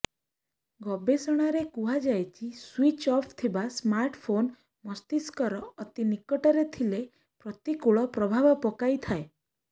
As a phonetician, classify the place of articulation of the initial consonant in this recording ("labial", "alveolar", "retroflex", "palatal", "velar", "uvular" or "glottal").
velar